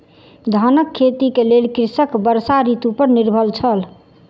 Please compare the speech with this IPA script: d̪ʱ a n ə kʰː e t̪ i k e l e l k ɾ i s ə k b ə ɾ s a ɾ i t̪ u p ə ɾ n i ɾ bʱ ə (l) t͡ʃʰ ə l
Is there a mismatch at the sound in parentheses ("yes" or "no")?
no